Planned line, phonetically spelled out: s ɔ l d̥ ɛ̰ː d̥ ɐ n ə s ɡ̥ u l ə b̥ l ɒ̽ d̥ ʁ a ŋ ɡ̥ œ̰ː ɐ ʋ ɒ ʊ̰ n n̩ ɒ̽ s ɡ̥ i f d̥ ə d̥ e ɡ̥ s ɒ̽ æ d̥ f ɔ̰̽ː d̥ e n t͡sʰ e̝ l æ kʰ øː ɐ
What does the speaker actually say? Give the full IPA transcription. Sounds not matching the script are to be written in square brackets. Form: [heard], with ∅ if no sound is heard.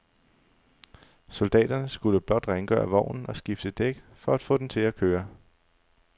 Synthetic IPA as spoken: s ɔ l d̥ ɛ̰ː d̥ ɐ n ə s ɡ̥ u l ə b̥ l ɒ̽ d̥ ʁ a ŋ ɡ̥ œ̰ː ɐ ʋ ɒ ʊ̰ n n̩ ɒ̽ s ɡ̥ i f d̥ ə d̥ e ɡ̥ [f] ɒ̽ æ d̥ f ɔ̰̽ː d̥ e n t͡sʰ e̝ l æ kʰ øː ɐ